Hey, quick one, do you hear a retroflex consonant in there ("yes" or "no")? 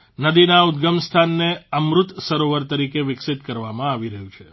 no